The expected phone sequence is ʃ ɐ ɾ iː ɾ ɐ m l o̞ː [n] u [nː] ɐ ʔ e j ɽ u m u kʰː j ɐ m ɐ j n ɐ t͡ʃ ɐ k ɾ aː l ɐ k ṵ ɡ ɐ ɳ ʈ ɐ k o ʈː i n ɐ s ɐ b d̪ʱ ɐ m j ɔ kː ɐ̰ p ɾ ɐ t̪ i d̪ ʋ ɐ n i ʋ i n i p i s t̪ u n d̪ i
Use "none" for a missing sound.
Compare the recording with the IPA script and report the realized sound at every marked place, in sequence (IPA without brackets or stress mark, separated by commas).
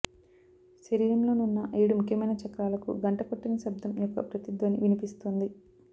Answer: n, nː